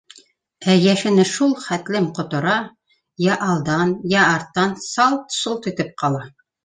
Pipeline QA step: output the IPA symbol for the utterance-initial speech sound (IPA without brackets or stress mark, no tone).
æ